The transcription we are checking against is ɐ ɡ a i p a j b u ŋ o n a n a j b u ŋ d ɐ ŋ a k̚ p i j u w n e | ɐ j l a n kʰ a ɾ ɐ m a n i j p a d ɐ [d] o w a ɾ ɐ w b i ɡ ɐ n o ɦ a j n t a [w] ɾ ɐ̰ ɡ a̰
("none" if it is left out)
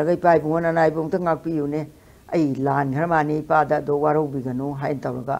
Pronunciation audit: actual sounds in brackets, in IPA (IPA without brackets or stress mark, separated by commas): d, w